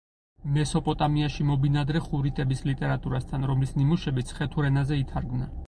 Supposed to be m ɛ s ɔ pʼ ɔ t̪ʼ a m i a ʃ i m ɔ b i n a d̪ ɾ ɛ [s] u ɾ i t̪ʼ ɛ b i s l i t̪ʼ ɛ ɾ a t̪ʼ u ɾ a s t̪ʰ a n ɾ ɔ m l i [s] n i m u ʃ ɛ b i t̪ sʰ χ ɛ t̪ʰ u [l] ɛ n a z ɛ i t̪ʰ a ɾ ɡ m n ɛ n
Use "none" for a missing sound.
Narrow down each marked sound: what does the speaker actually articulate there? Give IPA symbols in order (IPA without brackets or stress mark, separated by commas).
χ, s, ɾ